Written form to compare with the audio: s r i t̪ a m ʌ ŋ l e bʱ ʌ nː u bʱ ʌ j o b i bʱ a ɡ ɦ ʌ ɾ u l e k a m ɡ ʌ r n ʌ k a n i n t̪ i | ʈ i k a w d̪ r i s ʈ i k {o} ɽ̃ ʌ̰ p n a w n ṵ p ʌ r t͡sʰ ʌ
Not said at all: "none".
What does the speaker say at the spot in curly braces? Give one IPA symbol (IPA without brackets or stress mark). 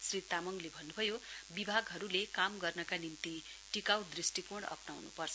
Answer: o